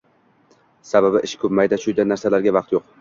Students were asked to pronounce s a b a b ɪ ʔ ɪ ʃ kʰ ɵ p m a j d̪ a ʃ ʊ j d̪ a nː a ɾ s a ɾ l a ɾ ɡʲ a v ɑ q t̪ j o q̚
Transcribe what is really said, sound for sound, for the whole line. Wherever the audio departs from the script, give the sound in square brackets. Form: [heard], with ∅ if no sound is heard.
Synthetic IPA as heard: s a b a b ɪ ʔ ɪ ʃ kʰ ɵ p m a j d̪ a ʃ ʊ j d̪ a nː a ɾ s a [∅] l a ɾ ɡʲ a v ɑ q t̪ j o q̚

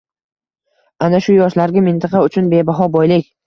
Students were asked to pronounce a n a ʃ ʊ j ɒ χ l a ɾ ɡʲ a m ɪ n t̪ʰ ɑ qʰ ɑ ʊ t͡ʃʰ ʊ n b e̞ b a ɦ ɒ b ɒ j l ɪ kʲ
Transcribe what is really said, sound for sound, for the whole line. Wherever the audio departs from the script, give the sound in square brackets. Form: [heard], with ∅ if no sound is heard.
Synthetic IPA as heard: a n a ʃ ʊ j ɒ [ʃ] l a ɾ ɡʲ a m ɪ n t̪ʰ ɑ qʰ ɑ ʊ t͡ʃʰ ʊ n b e̞ b a ɦ ɒ b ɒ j l ɪ kʲ

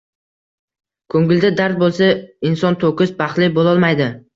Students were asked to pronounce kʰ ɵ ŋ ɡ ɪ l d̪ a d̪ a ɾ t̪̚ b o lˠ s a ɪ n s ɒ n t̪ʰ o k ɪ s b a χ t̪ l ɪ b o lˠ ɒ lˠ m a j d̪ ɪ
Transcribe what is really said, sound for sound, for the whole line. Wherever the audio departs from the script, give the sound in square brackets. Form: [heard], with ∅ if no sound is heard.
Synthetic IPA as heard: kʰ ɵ ŋ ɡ ɪ l d̪ a d̪ a ɾ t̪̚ b o lˠ s a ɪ n s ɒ n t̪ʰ o k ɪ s b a χ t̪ l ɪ b o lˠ ɒ lˠ m a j d̪ ɪ

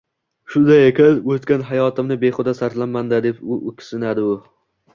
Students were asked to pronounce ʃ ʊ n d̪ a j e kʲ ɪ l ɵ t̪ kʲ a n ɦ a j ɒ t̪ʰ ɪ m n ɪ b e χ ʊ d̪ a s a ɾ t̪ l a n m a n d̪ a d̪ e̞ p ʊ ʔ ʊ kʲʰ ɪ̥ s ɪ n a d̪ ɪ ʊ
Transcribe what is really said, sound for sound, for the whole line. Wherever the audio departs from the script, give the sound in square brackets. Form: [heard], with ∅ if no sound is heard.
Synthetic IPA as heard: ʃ ʊ n d̪ a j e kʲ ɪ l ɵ t̪ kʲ a n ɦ a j ɒ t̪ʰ ɪ m n ɪ b e χ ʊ d̪ a s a ɾ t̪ l a n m a n d̪ a d̪ e̞ p ʊ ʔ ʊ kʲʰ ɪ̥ s ɪ n a d̪ ɪ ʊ

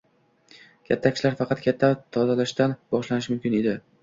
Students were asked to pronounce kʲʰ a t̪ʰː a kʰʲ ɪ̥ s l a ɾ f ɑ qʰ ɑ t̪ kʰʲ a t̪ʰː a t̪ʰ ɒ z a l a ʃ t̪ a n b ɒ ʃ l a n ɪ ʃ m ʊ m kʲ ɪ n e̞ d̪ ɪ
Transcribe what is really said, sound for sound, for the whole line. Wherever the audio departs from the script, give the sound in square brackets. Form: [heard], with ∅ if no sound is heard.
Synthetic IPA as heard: kʲʰ a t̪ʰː a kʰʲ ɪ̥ [ʃ] l a ɾ f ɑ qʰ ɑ t̪ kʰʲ a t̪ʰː a t̪ʰ ɒ z a l a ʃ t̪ a n b ɒ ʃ l a n ɪ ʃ m ʊ m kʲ ɪ n e̞ d̪ ɪ

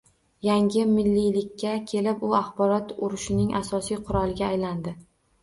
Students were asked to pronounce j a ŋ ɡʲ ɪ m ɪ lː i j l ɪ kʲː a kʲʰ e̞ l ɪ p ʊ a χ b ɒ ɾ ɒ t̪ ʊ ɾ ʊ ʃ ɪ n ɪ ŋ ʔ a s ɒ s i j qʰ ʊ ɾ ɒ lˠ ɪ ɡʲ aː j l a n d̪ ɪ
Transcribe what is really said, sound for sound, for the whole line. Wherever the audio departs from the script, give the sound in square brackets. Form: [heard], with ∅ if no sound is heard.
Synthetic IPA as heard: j a ŋ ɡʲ ɪ m ɪ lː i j l ɪ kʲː a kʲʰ e̞ l ɪ p ʊ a χ b ɒ ɾ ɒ t̪ ʊ ɾ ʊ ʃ ɪ n ɪ ŋ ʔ a s ɒ s i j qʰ ʊ ɾ ɒ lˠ ɪ ɡʲ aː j l a n d̪ ɪ

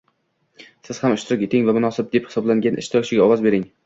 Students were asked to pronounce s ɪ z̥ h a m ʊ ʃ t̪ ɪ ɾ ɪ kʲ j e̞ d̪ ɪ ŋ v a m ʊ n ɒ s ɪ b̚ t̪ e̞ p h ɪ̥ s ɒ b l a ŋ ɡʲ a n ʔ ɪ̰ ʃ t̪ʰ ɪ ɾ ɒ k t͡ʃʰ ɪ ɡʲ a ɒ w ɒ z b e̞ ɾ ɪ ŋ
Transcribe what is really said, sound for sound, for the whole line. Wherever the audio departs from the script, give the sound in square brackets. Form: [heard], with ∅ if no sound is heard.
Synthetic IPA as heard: s ɪ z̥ h a m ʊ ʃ t̪ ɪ ɾ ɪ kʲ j e̞ [t̪] ɪ ŋ v a m ʊ n ɒ s ɪ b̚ [d̪] e̞ p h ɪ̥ s ɒ b l a ŋ ɡʲ a n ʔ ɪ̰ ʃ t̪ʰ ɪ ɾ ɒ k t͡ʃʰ ɪ ɡʲ a ɒ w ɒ z b e̞ ɾ ɪ ŋ

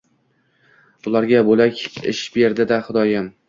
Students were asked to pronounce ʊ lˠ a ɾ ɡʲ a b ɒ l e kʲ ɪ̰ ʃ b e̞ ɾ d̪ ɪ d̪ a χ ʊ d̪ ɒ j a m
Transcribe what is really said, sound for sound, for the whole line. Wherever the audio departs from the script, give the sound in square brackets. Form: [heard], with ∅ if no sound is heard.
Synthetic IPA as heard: ʊ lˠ a ɾ ɡʲ a b [o] l [a] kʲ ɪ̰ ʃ b e̞ ɾ d̪ ɪ d̪ a χ ʊ d̪ ɒ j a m

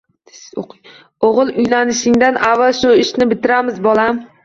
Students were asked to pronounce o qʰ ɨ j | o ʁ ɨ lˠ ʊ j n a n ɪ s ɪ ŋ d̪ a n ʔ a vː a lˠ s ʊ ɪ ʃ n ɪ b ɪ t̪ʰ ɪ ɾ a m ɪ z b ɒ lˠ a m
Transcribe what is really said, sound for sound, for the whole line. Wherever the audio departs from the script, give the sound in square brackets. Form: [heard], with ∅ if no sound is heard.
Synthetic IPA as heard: o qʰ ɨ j | o ʁ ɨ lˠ ʊ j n a n ɪ [ʃ] ɪ ŋ d̪ a n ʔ a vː a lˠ [ʃ] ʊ ɪ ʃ n ɪ b ɪ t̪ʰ ɪ ɾ a m ɪ z b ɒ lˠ a m

